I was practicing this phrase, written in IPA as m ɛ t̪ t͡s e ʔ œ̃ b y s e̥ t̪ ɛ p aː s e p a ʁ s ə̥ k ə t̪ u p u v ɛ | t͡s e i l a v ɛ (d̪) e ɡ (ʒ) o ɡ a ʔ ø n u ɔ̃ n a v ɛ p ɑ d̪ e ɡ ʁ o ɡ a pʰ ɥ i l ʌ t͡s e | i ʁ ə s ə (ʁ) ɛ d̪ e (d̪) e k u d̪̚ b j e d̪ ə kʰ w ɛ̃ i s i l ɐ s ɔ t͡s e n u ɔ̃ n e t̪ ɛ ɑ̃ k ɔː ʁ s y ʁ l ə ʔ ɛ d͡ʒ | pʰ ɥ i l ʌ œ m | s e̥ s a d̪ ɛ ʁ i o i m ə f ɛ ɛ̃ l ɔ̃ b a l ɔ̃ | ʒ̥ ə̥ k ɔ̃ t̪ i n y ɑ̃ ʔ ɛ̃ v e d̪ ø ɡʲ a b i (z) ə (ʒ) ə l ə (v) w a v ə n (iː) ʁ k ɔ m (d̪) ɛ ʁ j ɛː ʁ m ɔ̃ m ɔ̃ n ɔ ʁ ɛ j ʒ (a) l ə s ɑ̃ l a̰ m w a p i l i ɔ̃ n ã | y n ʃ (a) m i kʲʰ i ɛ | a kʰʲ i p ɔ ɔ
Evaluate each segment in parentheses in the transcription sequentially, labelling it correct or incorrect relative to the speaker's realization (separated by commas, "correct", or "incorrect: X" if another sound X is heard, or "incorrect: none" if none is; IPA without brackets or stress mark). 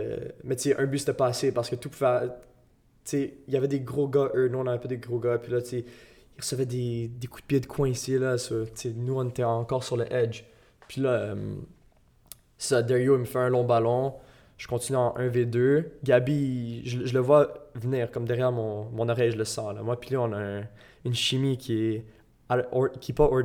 correct, incorrect: ʁ, incorrect: v, correct, incorrect: ʒ, correct, correct, correct, correct, incorrect: ə, incorrect: i